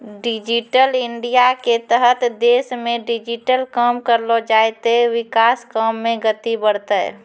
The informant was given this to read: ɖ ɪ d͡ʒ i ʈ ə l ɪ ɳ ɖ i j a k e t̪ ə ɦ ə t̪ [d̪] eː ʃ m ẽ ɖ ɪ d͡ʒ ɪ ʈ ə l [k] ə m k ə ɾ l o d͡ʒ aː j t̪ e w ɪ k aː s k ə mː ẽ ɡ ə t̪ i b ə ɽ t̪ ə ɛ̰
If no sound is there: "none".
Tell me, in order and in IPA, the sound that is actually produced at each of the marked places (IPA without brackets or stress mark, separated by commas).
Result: d̪, k